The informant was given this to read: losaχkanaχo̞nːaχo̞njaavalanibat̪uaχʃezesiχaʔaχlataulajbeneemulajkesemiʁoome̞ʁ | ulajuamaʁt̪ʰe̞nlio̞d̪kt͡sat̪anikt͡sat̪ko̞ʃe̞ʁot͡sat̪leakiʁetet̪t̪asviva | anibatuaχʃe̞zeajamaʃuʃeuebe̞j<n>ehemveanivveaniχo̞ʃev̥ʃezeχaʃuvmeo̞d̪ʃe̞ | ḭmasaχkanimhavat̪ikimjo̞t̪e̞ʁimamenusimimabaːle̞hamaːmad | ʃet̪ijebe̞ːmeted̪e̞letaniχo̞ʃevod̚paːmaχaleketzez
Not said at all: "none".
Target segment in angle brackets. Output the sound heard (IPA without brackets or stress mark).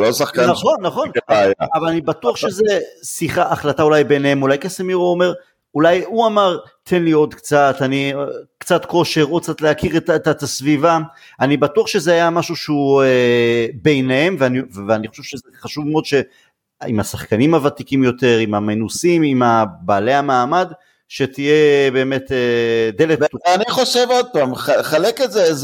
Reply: n